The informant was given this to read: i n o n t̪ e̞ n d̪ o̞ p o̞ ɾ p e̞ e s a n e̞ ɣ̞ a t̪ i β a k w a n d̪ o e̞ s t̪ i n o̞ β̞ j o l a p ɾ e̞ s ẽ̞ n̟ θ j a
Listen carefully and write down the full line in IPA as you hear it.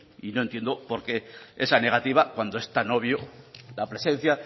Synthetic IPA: i n o n t̪ e̞ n d̪ o̞ p o̞ ɾ k e̞ e s a n e̞ ɣ̞ a t̪ i β a k w a n d̪ o e̞ s t̪ a n o̞ β̞ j o l a p ɾ e̞ s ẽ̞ n̟ θ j a

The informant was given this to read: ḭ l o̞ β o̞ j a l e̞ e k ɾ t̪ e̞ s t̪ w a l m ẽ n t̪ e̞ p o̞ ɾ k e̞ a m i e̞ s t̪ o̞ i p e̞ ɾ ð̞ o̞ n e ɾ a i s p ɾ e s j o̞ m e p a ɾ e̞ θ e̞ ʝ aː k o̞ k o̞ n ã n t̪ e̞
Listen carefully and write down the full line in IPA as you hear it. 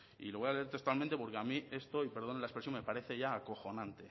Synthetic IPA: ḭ l o̞ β o̞ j a l e̞ e ɾ t̪ e̞ s t̪ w a l m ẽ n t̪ e̞ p o̞ ɾ k e̞ a m i e̞ s t̪ o̞ i p e̞ ɾ ð̞ o̞ n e l a e s p ɾ e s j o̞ m e p a ɾ e̞ θ e̞ ʝ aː k o̞ x o̞ n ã n t̪ e̞

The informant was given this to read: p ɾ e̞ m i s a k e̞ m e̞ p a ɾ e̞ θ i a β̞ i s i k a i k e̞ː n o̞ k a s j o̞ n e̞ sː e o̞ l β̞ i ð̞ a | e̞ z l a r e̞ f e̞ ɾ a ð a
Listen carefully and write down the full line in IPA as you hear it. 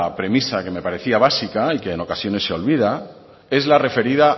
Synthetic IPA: p ɾ e̞ m i s a k e̞ m e̞ p a ɾ e̞ θ i a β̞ a s i k a i k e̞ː n o̞ k a s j o̞ n e̞ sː e o̞ l β̞ i ð̞ a | e̞ z l a r e̞ f e̞ ɾ i ð a

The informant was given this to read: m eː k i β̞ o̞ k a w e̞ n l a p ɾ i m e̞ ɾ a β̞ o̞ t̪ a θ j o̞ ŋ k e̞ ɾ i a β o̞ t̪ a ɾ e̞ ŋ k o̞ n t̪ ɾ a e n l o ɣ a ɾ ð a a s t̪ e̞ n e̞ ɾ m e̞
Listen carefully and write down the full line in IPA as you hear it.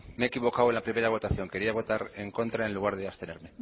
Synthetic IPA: m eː k i β̞ o̞ k a w e̞ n l a p ɾ i m e̞ ɾ a β̞ o̞ t̪ a θ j o̞ ŋ k e̞ ɾ i a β o̞ t̪ a ɾ e̞ ŋ k o̞ n t̪ ɾ a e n l u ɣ a ɾ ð e a s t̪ e̞ n e̞ ɾ m e̞

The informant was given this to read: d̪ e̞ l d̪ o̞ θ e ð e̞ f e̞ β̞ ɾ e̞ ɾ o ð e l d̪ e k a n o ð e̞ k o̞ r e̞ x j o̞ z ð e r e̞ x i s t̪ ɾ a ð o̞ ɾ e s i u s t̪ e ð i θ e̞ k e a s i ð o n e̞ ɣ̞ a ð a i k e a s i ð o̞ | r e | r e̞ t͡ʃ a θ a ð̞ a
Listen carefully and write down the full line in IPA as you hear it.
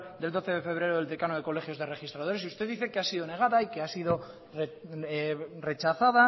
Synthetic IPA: d̪ e̞ l d̪ o̞ θ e ð e̞ f e̞ β̞ ɾ e̞ ɾ o ð e l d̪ e k a n o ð e̞ k o̞ l e̞ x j o̞ z ð e r e̞ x i s t̪ ɾ a ð o̞ ɾ e s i u s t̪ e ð i θ e̞ k e a s i ð o n e̞ ɣ̞ a ð a i k e a s i ð o̞ | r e | r e̞ t͡ʃ a θ a ð̞ a

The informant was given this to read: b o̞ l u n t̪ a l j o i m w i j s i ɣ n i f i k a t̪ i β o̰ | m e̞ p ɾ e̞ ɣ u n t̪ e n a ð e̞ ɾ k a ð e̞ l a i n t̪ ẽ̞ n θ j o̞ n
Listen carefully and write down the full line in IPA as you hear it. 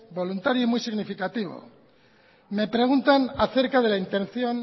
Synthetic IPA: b o̞ l u n t̪ a ɾ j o i m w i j s i ɣ n i f i k a t̪ i β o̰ | m e̞ p ɾ e̞ ɣ u n t̪ a n a θ e̞ ɾ k a ð e̞ l a i n t̪ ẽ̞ n θ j o̞ n

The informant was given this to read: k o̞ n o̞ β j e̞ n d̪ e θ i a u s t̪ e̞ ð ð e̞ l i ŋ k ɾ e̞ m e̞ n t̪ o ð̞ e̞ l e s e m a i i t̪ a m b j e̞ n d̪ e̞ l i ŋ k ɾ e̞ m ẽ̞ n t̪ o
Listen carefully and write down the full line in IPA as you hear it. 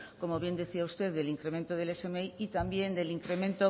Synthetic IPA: k o̞ m o̞ β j e̞ n d̪ e θ i a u s t̪ e̞ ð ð e̞ l i ŋ k ɾ e̞ m e̞ n t̪ o ð̞ e̞ l e s e m e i i t̪ a m b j e̞ n d̪ e̞ l i ŋ k ɾ e̞ m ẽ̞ n t̪ o

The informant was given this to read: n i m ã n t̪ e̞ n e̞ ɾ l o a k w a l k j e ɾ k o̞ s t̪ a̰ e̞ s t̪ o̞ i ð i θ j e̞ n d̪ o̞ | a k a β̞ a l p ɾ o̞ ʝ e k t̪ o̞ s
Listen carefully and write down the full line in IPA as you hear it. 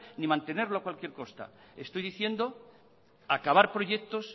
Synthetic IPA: n i m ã n t̪ e̞ n e̞ ɾ l o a k w a l k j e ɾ k o̞ s t̪ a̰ e̞ s t̪ o̞ j ð i θ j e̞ n d̪ o̞ | a k a β̞ a ɾ p ɾ o̞ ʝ e k t̪ o̞ s

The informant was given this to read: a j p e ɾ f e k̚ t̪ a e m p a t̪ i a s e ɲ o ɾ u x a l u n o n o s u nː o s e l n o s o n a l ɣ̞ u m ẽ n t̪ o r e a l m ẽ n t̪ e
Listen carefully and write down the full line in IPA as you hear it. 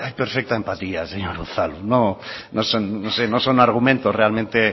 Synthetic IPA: a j p e ɾ f e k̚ t̪ a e m p a t̪ i a s e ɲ o ɾ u θ a l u n o n o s o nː o s e n o s o n a ɾ ɣ̞ u m ẽ n t̪ o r e a l m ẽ n t̪ e

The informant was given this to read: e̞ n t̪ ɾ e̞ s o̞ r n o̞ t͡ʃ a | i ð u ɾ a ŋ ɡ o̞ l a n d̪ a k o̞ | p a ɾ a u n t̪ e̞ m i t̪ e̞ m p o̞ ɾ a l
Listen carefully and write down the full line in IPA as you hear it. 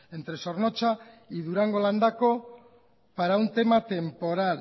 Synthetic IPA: e̞ n t̪ ɾ e̞ s o̞ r n o̞ t͡ʃ a | i ð u ɾ a ŋ ɡ o̞ l a n d̪ a k o̞ | p a ɾ a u n t̪ e̞ m a t̪ e̞ m p o̞ ɾ a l

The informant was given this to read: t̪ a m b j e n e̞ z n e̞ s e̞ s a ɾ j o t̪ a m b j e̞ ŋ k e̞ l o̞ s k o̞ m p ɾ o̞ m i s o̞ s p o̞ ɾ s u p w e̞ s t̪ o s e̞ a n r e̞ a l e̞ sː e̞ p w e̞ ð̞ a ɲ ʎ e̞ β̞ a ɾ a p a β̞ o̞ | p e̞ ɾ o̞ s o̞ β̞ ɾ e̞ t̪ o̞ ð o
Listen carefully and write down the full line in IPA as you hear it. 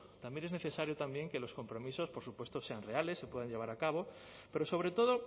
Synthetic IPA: t̪ a m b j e n e̞ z n e̞ θ e̞ s a ɾ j o t̪ a m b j e̞ ŋ k e̞ l o̞ s k o̞ m p ɾ o̞ m i s o̞ s p o̞ ɾ s u p w e̞ s t̪ o s e̞ a n r e̞ a l e̞ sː e̞ p w e̞ ð̞ a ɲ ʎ e̞ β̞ a ɾ a k a β̞ o̞ | p e̞ ɾ o̞ s o̞ β̞ ɾ e̞ t̪ o̞ ð o

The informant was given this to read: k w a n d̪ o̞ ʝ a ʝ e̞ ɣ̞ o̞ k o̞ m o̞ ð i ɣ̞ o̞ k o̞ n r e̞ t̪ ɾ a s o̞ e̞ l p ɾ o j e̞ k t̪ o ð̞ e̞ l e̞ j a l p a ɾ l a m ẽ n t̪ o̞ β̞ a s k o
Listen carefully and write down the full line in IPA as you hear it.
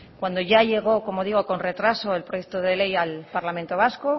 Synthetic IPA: k w a n d̪ o̞ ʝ a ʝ e̞ ɣ̞ o̞ k o̞ m o̞ ð i ɣ̞ o̞ k o̞ n r e̞ t̪ ɾ a s o̞ e̞ l p ɾ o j e̞ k t̪ o ð̞ e̞ l e̞ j a l p a ɾ l a m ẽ n t̪ o̞ β̞ a s k o

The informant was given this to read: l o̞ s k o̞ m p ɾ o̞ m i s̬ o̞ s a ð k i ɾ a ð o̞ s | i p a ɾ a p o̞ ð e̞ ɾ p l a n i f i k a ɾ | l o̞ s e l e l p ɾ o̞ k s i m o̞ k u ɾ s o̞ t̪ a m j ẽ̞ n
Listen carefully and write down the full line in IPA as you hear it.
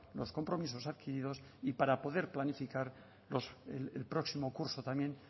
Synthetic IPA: l o̞ s k o̞ m p ɾ o̞ m i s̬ o̞ s a ð k i ɾ i ð o̞ s | i p a ɾ a p o̞ ð e̞ ɾ p l a n i f i k a ɾ | l o̞ s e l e l p ɾ o̞ k s i m o̞ k u ɾ s o̞ t̪ a m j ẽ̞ n

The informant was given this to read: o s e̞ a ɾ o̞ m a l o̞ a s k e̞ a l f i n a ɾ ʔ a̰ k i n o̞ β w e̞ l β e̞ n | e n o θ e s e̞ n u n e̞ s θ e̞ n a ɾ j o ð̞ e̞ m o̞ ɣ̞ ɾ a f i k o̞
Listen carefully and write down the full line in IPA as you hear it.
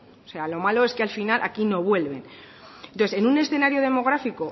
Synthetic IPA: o s e̞ a l o̞ m a l o̞ e s k e̞ a l f i n a l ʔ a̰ k i n o̞ β w e̞ l β e̞ n | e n o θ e s e̞ n u n e̞ s θ e̞ n a ɾ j o ð̞ e̞ m o̞ ɣ̞ ɾ a f i k o̞

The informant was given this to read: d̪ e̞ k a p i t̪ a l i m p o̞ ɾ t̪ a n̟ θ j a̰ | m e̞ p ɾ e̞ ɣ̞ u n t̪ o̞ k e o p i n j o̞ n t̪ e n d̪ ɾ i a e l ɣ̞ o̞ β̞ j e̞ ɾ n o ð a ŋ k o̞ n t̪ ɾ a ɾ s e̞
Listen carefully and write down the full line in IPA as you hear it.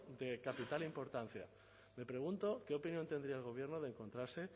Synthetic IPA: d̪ e̞ k a p i t̪ a l i m p o̞ ɾ t̪ a n̟ θ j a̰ | m e̞ p ɾ e̞ ɣ̞ u n t̪ o̞ k e o p i n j o̞ n t̪ e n d̪ ɾ i a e l ɣ̞ o̞ β̞ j e̞ ɾ n o ð e ŋ k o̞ n t̪ ɾ a ɾ s e̞

